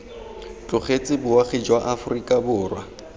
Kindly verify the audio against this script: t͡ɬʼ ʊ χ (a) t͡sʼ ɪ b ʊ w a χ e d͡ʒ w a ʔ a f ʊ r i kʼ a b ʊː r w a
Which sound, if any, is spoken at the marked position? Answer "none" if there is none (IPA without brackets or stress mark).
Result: e